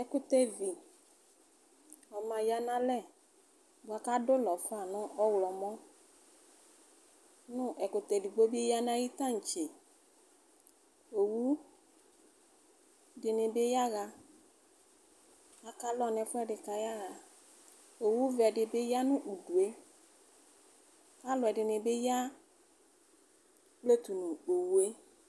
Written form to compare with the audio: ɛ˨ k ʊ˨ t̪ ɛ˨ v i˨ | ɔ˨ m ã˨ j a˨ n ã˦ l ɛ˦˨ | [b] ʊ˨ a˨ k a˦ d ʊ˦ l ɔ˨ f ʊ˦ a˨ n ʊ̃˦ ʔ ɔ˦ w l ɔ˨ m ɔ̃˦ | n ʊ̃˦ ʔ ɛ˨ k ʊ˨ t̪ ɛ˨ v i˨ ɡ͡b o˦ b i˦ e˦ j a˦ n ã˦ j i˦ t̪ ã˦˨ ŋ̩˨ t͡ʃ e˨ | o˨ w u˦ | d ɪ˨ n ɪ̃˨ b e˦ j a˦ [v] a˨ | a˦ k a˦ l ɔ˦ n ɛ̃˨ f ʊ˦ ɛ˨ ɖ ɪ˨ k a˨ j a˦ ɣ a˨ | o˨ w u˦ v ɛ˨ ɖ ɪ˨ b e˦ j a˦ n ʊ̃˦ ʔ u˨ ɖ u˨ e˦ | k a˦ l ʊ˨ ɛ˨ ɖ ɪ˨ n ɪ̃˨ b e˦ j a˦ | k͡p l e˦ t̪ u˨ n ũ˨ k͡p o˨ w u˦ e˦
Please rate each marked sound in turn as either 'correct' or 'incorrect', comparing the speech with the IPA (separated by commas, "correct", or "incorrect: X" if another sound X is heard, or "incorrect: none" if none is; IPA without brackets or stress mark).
correct, incorrect: ɣ